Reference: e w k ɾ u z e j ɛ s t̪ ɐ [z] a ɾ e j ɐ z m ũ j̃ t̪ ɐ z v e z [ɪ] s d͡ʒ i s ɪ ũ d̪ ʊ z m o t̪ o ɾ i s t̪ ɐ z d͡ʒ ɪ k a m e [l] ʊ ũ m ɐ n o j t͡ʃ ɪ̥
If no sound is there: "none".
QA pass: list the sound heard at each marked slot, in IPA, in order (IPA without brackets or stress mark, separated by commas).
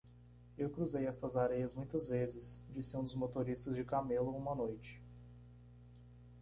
z, ɪ, l